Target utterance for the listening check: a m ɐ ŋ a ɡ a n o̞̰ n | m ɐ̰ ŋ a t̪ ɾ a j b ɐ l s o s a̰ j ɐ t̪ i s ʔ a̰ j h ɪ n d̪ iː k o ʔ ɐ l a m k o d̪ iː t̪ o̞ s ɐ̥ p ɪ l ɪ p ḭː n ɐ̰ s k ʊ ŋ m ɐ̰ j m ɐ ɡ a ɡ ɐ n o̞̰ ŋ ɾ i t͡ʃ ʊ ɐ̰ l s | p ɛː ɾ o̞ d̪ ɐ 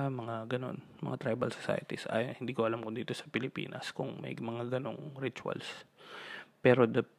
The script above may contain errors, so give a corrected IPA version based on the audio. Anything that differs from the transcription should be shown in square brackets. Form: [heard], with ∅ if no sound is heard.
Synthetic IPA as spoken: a m ɐ ŋ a ɡ [ɐ] n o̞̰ n | m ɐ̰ ŋ a t̪ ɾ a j b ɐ l s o s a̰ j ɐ t̪ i s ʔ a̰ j h ɪ n d̪ iː k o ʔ ɐ l a m k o d̪ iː t̪ o̞ s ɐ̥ p ɪ l ɪ p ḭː n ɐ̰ s k ʊ ŋ m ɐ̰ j m ɐ [ŋ] a ɡ ɐ n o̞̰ ŋ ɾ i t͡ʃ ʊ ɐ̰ l s | p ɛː ɾ o̞ d̪ ɐ